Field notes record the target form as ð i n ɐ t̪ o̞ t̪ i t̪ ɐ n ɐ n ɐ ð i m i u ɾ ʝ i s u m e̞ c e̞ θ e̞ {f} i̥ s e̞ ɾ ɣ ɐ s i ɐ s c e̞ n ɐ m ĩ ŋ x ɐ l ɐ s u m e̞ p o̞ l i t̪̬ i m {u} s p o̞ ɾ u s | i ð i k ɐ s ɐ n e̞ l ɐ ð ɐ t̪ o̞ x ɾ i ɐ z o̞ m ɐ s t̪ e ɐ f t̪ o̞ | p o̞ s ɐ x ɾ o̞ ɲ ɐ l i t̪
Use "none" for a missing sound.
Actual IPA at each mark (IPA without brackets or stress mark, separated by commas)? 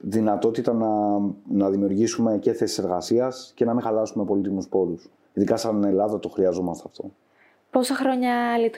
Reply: s, u